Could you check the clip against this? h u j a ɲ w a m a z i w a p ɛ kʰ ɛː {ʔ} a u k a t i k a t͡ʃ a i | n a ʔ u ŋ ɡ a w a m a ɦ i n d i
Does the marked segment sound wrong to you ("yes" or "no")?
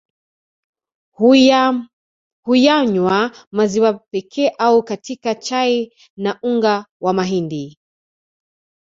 no